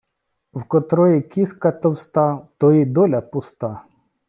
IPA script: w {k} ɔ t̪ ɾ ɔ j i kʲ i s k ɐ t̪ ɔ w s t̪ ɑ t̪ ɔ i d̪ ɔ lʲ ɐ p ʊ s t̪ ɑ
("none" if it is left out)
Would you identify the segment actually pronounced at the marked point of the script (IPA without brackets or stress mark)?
k